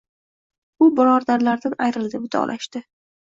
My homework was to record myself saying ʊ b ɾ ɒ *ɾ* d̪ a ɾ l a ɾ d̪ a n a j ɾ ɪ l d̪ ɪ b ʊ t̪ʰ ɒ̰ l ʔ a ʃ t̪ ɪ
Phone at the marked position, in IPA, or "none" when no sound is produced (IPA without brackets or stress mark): ɾ